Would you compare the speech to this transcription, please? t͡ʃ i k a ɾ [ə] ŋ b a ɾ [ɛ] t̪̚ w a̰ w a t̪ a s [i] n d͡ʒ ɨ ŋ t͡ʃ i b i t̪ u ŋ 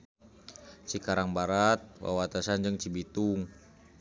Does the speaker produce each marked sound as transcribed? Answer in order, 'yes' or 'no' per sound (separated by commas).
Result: no, no, no